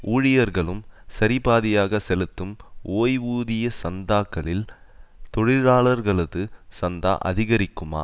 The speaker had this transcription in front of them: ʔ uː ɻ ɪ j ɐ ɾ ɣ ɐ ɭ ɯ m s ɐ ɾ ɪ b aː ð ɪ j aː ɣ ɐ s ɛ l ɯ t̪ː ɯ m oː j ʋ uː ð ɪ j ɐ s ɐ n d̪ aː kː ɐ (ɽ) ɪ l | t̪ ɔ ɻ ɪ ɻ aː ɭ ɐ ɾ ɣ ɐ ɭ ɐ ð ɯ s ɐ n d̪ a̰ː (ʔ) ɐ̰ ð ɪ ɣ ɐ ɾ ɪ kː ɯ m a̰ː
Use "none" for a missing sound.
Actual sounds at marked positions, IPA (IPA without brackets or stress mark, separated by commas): ɭ, ʔ